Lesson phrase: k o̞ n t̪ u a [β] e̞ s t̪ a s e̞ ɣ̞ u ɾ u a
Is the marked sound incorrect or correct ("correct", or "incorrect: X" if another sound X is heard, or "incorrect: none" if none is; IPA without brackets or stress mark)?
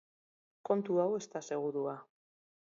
incorrect: w